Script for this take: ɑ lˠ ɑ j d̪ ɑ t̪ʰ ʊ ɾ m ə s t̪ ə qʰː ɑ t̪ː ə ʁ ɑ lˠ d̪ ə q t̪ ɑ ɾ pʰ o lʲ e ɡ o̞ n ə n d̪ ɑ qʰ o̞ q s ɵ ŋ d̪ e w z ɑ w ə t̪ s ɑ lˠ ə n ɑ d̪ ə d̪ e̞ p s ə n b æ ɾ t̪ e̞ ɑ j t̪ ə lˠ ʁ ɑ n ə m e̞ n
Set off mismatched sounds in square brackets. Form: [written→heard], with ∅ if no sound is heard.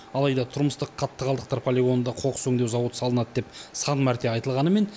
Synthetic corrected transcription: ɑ lˠ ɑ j d̪ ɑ t̪ʰ ʊ ɾ m ə s t̪ ə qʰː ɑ t̪ː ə ʁ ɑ lˠ d̪ ə q t̪ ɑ ɾ pʰ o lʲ e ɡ o̞ n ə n d̪ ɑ qʰ o̞ q s ɵ ŋ d̪ e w z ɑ w ə t̪ s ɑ lˠ ə n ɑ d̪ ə d̪ e̞ p s [ə→ɑ] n [b→m] æ ɾ t̪ e̞ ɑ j t̪ ə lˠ ʁ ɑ n ə m e̞ n

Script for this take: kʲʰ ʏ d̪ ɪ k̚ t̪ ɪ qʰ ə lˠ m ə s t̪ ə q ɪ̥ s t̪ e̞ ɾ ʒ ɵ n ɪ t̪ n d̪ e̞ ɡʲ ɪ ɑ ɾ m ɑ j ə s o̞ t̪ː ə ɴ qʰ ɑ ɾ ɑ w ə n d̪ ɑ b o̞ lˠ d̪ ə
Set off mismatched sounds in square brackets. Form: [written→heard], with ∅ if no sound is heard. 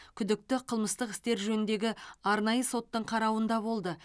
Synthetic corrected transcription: kʲʰ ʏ d̪ ɪ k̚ t̪ ɪ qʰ ə lˠ m ə s t̪ ə q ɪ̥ s t̪ e̞ ɾ ʒ ɵ n ɪ [t̪→∅] n d̪ e̞ ɡʲ ɪ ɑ ɾ [m→n] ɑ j ə s o̞ t̪ː ə ɴ qʰ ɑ ɾ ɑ w ə n d̪ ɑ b o̞ lˠ d̪ ə

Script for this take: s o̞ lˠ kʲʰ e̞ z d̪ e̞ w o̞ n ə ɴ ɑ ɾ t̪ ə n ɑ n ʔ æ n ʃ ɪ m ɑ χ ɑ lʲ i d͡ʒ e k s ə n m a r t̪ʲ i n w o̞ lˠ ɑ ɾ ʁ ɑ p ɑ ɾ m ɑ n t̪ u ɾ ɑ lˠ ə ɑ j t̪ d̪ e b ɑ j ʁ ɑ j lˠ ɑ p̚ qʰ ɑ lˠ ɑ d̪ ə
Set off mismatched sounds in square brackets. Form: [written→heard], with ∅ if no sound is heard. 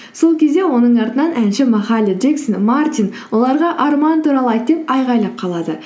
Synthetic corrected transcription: s o̞ lˠ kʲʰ e̞ z d̪ e̞ w o̞ n ə ɴ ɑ ɾ t̪ ə n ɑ n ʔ æ n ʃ ɪ m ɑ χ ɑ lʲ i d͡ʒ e k s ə n m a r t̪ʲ i n w o̞ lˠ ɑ ɾ ʁ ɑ [p→ʔ] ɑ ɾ m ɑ n t̪ u ɾ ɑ lˠ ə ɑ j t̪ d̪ e [b→p] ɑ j ʁ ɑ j lˠ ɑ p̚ qʰ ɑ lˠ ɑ d̪ ə

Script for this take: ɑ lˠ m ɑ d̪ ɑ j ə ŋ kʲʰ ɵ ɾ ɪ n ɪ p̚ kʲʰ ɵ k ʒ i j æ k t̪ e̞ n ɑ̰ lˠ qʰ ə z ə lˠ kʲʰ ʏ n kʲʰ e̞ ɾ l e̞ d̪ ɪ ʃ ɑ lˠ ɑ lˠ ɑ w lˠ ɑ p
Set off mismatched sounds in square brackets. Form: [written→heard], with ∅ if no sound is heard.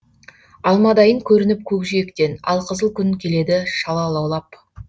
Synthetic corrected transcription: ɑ lˠ m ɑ d̪ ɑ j ə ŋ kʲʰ ɵ ɾ ɪ n ɪ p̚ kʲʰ ɵ k ʒ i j [æ→e] k t̪ e̞ n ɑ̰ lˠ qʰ ə z ə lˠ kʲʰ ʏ n kʲʰ e̞ [ɾ→∅] l e̞ d̪ ɪ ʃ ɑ lˠ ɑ lˠ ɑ w lˠ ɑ p

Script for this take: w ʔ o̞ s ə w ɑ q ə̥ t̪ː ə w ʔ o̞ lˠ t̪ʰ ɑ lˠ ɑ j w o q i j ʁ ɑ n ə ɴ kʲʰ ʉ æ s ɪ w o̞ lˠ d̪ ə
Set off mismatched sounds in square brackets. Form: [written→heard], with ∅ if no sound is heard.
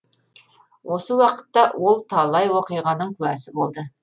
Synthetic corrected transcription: w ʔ o̞ s ə w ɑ q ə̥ t̪ː [ə→ɑ] w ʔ o̞ lˠ t̪ʰ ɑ lˠ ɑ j w o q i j ʁ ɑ n ə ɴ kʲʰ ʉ æ s ɪ [w→b] o̞ lˠ d̪ ə

